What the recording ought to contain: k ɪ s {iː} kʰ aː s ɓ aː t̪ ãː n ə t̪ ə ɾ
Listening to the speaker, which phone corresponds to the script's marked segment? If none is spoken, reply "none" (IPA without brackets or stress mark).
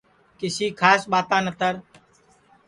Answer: iː